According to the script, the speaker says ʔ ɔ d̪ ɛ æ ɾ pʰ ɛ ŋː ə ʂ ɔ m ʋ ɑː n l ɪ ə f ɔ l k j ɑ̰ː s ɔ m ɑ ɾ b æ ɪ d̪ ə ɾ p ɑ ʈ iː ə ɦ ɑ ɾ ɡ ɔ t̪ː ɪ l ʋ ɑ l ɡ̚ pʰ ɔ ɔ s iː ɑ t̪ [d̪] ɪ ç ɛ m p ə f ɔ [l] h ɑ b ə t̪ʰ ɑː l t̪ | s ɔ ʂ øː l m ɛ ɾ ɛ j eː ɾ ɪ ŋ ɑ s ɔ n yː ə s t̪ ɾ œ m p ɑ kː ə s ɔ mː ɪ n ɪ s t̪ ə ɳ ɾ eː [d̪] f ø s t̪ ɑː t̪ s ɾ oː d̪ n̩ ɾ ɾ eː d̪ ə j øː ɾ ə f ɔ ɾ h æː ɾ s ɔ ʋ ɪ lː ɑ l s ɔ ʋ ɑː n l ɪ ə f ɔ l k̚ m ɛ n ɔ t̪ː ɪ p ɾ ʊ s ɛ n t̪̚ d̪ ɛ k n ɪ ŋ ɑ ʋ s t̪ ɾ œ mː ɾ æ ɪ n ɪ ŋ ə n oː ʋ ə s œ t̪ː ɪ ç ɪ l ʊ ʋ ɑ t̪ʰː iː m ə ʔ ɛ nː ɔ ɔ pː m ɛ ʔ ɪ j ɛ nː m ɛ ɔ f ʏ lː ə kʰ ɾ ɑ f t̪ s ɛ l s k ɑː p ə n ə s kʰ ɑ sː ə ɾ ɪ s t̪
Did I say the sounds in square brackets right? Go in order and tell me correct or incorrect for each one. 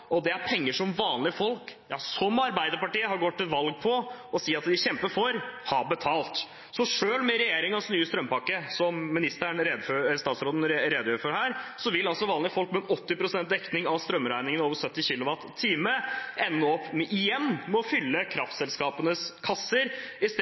correct, incorrect: ɾ, correct

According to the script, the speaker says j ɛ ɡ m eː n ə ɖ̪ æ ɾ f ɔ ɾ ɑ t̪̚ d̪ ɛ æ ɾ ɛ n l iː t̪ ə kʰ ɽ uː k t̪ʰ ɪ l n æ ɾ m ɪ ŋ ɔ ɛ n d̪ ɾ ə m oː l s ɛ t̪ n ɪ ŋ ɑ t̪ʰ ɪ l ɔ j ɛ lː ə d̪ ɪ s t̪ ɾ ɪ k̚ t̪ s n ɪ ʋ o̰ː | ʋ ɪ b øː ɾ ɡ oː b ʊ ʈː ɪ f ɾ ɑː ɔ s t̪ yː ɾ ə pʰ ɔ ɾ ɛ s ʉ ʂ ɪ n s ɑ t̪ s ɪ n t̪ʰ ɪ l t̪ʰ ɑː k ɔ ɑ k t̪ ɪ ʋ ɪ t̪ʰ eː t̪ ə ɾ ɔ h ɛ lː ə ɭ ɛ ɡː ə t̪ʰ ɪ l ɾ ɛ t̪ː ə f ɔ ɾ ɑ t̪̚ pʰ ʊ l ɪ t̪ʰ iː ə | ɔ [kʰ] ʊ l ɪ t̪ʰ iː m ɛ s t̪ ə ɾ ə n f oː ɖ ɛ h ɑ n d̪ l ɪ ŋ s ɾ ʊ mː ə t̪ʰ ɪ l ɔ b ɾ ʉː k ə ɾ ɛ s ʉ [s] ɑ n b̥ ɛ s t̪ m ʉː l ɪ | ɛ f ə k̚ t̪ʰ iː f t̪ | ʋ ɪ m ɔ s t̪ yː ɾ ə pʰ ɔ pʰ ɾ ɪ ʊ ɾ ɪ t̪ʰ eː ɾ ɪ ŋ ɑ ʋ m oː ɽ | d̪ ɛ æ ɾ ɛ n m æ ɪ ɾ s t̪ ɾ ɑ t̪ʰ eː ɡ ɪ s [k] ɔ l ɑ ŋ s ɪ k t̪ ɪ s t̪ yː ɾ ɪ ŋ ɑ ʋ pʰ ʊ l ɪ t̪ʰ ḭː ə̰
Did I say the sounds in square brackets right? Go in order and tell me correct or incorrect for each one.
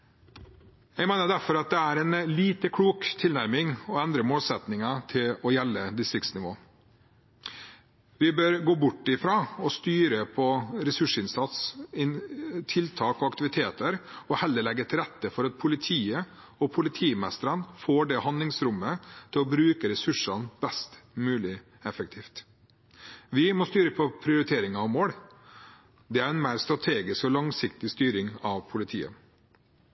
incorrect: pʰ, incorrect: ʂ, correct

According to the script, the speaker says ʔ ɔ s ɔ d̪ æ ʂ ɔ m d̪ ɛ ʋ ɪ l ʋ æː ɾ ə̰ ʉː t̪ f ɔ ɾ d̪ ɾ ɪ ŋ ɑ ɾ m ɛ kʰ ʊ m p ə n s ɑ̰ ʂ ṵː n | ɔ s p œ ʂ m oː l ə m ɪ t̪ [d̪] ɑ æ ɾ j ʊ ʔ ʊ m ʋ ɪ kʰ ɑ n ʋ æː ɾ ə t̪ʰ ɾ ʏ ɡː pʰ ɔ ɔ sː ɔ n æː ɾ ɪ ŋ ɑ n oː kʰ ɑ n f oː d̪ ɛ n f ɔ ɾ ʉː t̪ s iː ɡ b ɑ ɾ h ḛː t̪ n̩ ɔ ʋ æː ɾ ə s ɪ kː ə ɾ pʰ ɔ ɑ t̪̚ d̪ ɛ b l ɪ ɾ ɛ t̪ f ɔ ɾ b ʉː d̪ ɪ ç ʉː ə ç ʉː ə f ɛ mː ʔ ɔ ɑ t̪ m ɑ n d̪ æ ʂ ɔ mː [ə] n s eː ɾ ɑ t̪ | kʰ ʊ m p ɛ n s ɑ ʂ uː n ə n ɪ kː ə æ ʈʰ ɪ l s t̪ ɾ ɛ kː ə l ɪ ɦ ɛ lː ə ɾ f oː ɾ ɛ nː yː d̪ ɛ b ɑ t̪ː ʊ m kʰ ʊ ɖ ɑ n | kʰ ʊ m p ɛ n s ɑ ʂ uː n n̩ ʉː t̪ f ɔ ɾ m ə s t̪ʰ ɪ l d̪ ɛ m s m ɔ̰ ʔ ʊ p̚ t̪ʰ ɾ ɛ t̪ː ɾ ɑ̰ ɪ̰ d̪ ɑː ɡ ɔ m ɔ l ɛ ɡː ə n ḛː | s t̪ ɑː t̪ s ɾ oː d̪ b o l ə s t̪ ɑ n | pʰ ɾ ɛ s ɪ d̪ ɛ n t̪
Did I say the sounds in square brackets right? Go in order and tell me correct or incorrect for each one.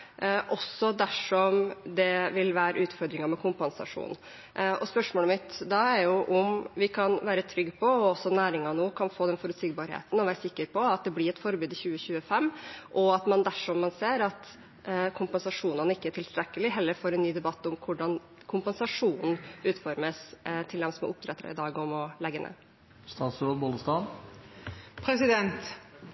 correct, incorrect: ɑ

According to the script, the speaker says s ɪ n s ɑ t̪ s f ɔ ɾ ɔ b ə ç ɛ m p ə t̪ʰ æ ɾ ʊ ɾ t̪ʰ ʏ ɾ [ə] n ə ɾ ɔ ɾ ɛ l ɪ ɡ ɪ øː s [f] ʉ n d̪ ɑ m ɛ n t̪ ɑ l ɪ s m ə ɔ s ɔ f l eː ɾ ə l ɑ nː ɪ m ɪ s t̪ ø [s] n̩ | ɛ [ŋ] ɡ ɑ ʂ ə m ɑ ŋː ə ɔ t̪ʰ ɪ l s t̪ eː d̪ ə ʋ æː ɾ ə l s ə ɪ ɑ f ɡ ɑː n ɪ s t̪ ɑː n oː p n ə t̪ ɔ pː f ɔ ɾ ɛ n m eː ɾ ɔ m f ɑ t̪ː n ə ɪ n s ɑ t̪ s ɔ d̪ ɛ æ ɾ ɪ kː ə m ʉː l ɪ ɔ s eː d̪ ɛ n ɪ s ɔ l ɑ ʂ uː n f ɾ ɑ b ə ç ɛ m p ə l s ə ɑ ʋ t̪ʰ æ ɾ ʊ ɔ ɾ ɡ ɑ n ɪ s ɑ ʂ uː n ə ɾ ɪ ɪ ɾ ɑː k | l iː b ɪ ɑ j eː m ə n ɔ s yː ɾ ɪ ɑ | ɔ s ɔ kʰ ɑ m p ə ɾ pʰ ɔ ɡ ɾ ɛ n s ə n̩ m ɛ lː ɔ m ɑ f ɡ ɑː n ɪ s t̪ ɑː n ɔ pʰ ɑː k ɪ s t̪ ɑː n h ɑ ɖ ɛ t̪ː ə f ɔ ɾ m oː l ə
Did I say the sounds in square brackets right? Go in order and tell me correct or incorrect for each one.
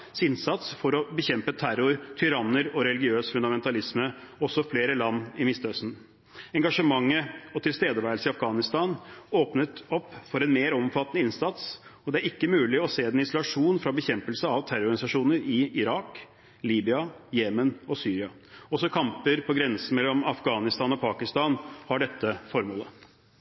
incorrect: ɑ, correct, correct, correct

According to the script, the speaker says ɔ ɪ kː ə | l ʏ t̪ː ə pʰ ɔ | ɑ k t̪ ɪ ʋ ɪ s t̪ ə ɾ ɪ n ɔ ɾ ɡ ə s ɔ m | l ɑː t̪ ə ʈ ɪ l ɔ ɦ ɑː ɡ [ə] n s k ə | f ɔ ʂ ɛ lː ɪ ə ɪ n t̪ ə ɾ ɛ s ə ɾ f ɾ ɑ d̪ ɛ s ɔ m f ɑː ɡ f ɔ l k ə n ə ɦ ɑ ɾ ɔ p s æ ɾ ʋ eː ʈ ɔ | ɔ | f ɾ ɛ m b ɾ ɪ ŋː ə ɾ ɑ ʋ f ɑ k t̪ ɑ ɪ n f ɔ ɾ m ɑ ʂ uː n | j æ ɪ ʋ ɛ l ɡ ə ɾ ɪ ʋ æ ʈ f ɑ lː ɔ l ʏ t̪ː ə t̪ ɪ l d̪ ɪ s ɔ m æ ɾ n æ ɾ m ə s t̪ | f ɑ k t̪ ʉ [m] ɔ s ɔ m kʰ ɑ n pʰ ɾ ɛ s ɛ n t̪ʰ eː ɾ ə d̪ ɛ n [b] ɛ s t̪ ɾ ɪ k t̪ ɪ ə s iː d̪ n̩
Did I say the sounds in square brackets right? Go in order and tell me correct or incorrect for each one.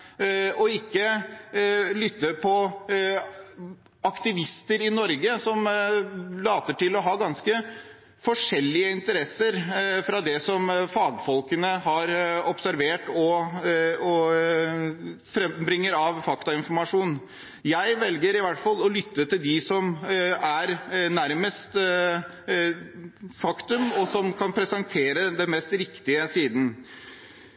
incorrect: ɑ, correct, incorrect: m

